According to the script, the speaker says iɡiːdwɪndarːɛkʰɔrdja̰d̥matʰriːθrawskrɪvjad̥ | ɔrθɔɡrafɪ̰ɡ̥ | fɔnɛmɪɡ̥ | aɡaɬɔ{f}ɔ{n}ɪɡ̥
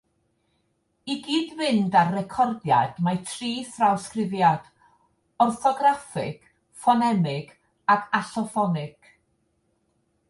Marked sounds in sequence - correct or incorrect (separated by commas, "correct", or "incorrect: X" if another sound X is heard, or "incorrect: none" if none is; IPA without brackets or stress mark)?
correct, correct